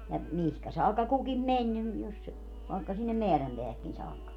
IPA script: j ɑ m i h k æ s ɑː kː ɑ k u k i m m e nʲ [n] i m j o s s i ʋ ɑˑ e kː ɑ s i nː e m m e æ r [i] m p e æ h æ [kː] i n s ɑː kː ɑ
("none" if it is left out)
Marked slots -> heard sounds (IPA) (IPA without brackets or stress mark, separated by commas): n, æ, kː